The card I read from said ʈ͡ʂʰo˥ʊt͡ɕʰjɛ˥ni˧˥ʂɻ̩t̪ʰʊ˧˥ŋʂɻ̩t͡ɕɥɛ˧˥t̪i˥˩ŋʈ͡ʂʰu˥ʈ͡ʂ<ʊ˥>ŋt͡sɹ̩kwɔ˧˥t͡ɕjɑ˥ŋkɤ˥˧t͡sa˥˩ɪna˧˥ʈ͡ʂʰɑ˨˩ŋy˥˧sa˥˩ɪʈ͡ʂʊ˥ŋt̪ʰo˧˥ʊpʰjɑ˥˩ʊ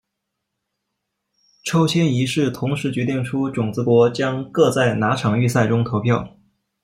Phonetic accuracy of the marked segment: incorrect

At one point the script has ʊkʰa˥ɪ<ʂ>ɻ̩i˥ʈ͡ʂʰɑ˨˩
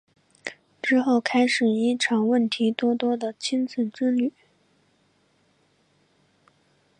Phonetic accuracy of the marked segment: correct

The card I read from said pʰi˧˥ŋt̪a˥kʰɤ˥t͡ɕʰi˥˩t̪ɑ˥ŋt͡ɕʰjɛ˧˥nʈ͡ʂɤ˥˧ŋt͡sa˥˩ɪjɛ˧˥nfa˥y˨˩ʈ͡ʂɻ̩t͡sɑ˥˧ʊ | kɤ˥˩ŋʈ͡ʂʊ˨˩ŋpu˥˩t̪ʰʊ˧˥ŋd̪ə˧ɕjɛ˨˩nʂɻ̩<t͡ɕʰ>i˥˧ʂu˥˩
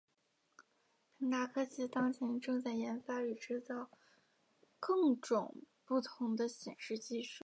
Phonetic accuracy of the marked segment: incorrect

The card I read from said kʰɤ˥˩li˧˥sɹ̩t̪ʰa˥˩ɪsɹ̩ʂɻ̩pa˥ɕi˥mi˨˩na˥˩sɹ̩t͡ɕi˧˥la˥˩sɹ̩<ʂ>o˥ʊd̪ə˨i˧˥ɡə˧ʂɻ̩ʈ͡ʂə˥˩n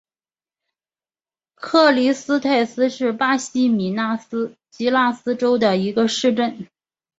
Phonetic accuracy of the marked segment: incorrect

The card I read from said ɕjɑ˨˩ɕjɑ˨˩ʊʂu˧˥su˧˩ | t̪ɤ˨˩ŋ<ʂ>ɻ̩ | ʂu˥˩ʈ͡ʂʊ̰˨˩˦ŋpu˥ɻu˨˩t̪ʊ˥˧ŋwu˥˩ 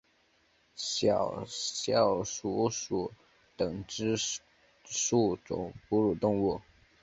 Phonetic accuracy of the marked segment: incorrect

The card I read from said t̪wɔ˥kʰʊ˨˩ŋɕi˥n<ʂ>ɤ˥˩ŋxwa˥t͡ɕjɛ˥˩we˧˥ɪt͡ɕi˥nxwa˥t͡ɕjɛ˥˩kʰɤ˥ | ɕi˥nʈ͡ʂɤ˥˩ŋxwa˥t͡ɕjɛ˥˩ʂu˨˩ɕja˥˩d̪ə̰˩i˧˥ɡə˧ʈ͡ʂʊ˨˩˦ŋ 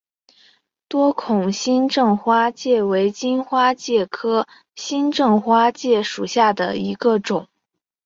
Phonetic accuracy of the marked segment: incorrect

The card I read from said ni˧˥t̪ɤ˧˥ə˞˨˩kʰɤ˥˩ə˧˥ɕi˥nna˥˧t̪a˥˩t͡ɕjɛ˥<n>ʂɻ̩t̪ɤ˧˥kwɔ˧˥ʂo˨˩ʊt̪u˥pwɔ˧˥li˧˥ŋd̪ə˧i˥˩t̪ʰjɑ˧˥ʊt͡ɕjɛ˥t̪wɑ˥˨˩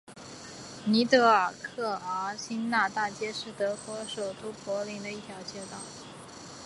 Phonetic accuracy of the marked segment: incorrect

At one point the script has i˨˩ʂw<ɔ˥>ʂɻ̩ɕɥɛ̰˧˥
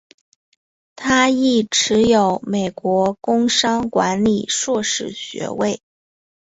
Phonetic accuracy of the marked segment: incorrect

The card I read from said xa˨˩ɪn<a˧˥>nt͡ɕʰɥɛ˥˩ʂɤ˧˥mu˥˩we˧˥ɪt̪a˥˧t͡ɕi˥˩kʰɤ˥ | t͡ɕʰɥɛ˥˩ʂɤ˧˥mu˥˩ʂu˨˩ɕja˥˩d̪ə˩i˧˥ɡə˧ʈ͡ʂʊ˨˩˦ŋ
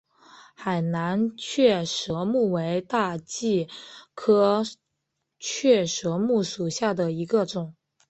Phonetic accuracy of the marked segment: correct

